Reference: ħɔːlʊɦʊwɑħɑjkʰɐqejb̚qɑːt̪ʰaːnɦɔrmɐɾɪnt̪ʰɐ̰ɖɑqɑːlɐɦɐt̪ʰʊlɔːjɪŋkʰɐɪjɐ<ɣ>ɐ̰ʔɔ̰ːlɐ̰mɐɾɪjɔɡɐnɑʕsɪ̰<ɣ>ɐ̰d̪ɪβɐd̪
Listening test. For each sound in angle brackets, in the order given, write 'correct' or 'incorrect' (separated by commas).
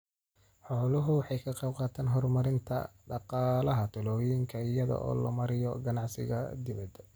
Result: incorrect, correct